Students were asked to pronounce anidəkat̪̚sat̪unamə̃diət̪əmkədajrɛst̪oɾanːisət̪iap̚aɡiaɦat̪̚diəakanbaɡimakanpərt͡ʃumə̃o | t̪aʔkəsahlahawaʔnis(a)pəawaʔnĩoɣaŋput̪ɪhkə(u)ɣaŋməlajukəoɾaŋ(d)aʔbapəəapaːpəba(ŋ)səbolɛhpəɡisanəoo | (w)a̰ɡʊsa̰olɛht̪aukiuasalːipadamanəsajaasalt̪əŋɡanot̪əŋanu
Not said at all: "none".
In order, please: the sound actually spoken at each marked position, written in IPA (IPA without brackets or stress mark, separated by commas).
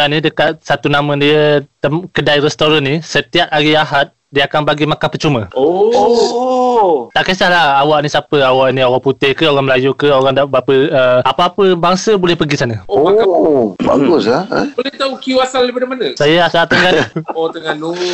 a, o, d, ŋ, b